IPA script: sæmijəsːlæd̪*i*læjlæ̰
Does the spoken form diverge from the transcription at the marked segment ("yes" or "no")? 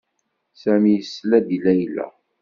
no